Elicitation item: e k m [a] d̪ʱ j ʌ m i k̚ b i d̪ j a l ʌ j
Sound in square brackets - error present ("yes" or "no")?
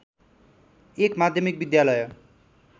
no